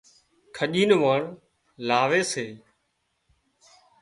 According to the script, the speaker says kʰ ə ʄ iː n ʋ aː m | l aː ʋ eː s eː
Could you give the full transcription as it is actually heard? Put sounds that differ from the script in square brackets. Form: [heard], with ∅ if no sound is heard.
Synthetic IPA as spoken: kʰ ə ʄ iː n ʋ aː [ɳ] | l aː ʋ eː s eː